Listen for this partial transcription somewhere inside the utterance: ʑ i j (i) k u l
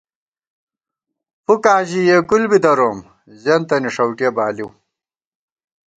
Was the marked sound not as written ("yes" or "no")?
yes